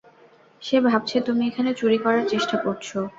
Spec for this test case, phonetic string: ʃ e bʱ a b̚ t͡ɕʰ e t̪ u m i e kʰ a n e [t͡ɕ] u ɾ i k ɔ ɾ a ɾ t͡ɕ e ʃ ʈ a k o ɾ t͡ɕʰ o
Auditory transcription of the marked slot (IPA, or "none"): t͡ɕ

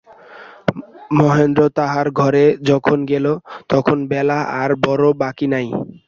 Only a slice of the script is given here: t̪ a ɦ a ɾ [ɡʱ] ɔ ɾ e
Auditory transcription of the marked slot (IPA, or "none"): ɡʱ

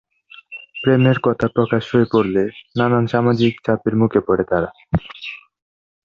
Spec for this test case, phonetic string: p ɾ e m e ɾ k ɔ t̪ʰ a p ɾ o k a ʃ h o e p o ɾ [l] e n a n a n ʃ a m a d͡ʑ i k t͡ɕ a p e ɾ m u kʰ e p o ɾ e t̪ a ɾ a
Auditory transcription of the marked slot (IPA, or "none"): l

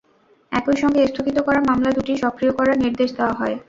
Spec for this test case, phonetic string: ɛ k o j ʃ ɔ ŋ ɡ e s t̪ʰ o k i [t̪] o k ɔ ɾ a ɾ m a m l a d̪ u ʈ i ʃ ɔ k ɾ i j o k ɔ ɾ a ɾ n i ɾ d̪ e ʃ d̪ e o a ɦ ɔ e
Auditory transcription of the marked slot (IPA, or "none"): t̪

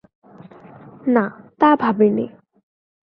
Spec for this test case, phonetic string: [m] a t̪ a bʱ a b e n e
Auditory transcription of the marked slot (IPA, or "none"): n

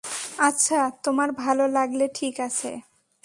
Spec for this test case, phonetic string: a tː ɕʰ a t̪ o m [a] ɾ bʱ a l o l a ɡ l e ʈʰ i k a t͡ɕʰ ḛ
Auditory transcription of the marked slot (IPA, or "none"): a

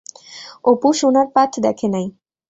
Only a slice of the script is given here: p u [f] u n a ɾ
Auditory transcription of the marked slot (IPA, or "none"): ʃ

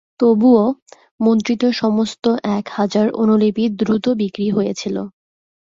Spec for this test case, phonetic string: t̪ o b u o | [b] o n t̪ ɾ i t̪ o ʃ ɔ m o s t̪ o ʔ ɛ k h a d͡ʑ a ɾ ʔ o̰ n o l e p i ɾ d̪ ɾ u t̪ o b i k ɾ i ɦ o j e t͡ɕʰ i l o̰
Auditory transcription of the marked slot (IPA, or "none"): m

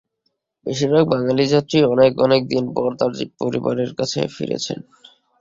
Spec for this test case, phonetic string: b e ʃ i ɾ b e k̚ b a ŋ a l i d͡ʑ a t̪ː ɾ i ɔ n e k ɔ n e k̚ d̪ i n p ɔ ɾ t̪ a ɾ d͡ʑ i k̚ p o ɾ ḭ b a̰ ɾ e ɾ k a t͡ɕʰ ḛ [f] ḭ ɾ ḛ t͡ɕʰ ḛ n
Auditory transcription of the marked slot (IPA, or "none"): f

